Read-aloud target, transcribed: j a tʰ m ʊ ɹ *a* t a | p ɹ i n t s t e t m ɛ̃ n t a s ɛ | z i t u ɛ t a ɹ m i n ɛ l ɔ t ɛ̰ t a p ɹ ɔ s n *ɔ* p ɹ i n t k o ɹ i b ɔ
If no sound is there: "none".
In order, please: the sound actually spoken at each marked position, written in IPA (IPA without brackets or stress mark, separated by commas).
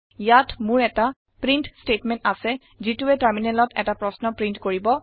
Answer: ɛ, ɔ